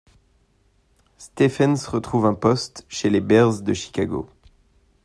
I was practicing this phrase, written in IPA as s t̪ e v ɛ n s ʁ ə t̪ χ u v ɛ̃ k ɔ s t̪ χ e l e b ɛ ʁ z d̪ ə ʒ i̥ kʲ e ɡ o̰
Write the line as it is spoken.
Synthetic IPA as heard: s t̪ e f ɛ n s ʁ ə t̪ χ u v ɛ̃ p ɔ s t̪ ʃ e l e b ɛ ʁ z d̪ ə ʃ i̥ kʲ a ɡ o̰